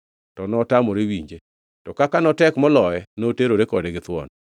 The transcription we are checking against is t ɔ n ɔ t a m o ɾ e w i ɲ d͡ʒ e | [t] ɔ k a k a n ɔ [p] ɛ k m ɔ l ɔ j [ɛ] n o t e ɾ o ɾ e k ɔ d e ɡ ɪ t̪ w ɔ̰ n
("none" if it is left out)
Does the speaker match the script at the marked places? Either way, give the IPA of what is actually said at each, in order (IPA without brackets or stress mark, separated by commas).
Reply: t, t, ɛ